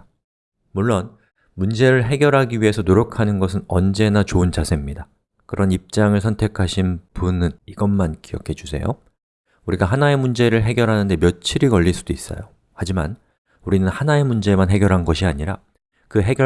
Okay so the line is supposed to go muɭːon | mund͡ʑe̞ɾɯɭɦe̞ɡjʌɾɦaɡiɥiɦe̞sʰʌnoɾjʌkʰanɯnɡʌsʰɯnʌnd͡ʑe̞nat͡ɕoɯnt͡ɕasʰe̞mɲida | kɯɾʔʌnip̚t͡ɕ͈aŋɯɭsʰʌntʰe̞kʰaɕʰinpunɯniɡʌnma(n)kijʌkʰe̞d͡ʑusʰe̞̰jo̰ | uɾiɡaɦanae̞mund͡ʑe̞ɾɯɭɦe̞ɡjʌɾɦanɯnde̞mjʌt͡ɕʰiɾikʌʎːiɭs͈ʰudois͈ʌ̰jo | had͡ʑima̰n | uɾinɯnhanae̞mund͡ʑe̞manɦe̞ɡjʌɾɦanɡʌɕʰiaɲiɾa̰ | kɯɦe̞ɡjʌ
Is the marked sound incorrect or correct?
correct